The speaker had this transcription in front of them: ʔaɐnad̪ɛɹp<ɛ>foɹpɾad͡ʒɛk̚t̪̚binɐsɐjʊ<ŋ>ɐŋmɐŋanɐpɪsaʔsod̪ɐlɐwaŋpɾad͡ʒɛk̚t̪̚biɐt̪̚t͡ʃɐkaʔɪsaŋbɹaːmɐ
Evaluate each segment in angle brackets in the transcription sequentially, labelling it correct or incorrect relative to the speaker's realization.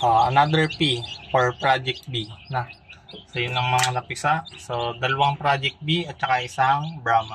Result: incorrect, incorrect

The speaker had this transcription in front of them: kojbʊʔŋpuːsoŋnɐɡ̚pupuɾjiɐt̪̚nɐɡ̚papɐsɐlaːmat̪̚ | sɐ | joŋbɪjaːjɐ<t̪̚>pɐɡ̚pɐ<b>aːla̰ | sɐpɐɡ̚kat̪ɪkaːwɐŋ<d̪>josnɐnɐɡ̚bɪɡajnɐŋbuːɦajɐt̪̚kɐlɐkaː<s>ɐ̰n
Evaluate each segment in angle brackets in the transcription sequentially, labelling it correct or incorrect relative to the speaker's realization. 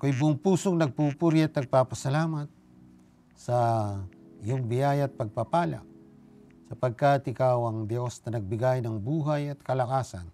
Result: correct, incorrect, correct, correct

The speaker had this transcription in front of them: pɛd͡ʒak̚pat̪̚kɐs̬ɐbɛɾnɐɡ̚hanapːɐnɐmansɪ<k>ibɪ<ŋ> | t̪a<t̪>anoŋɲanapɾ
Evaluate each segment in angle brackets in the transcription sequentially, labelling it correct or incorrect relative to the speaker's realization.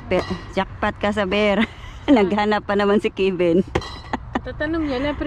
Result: correct, incorrect, correct

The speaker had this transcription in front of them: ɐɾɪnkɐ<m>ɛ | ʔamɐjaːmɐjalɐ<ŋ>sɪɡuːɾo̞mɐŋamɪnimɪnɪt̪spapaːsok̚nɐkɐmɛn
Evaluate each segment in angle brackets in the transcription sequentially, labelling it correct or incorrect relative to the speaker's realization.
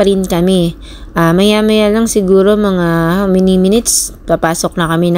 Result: correct, correct

